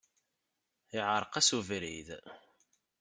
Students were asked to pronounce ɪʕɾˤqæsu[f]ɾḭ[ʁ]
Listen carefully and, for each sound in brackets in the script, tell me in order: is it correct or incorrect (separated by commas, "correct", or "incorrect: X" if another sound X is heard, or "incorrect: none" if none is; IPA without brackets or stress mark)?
incorrect: v, incorrect: ð